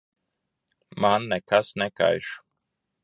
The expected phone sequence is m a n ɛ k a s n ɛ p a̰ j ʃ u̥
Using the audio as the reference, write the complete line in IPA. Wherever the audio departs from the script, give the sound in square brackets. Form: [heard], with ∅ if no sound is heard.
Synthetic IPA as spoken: m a [nː] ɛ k a s n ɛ [k] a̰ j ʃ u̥